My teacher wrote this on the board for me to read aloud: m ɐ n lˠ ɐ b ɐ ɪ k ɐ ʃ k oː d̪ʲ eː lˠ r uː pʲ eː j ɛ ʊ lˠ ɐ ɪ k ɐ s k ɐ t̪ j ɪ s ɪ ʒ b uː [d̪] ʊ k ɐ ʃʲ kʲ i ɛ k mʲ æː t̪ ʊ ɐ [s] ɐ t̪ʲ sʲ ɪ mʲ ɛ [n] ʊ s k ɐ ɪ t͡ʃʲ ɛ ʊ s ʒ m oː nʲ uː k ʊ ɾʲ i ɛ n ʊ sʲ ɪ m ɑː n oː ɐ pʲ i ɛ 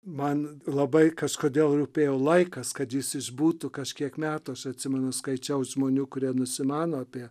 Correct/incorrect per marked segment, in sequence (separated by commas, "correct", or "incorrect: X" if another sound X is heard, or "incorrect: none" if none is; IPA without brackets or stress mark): incorrect: t̪, incorrect: ʃ, correct